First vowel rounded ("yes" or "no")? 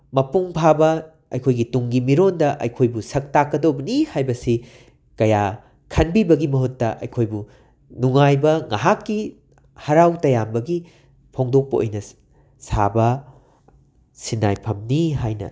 no